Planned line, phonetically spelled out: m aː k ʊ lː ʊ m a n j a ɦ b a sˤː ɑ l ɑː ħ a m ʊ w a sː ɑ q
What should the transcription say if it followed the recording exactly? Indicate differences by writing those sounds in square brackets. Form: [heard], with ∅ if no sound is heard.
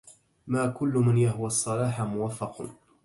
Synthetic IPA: m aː k ʊ lː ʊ m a n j a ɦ [w] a sˤː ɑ l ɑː ħ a m ʊ w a [fː] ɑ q